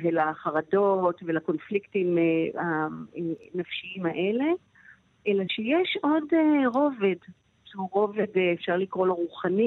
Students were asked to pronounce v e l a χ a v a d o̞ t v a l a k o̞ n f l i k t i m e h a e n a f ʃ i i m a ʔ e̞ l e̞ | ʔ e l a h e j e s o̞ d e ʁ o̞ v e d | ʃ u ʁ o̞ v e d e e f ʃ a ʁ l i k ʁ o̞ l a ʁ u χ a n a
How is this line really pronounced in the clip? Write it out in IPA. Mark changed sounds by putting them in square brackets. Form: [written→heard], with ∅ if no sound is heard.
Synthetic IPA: v e l a χ a [v→ʁ] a d o̞ t v [a→e] l a k o̞ n f l i k t i m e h a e n a f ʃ i i m a ʔ e̞ l e̞ | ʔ e l a [h→ʃ] e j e [s→ʃ] o̞ d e ʁ o̞ v e d | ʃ u ʁ o̞ v e d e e f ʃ a ʁ l i k ʁ o̞ l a ʁ u χ a n [a→i]